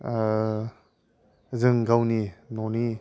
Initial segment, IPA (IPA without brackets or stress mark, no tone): z